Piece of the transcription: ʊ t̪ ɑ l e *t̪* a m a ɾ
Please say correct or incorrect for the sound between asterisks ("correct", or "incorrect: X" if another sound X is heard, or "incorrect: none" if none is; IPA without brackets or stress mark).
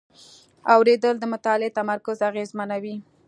correct